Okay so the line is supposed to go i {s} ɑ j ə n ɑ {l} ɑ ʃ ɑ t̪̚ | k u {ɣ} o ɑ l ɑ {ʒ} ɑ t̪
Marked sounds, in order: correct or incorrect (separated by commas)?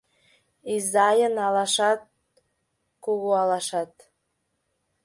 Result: incorrect, correct, correct, incorrect